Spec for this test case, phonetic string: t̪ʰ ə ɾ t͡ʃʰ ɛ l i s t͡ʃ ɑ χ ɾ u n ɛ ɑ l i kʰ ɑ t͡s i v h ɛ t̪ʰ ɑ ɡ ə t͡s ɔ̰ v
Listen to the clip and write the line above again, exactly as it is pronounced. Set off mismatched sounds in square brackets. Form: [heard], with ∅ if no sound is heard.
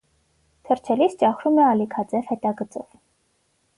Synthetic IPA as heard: t̪ʰ ə ɾ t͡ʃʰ ɛ l i s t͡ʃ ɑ χ ɾ u [m] ɛ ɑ l i kʰ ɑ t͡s [ɛ] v h ɛ [t̪] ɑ ɡ ə t͡s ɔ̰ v